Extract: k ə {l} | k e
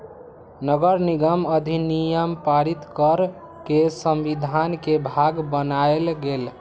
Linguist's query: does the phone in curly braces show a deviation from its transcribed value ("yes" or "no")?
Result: yes